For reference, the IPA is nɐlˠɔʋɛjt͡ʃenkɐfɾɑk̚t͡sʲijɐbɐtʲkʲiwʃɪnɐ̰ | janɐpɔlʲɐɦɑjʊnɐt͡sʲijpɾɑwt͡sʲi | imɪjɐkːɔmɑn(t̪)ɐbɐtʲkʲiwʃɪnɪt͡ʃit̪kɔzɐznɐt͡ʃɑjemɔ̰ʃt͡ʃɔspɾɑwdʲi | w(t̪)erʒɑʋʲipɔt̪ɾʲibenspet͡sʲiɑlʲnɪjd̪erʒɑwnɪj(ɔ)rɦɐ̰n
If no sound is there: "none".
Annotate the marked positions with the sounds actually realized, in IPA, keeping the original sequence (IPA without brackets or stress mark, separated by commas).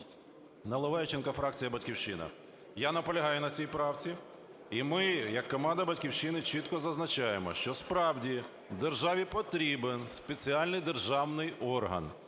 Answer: d̪, d̪, ɔ